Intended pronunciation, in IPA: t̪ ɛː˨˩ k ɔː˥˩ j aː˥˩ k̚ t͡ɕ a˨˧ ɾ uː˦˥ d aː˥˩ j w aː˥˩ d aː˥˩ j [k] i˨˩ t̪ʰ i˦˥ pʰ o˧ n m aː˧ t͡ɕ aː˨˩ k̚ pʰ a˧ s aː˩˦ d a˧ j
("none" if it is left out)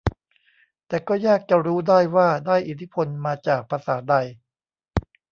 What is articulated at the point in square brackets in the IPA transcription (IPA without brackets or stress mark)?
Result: ʔ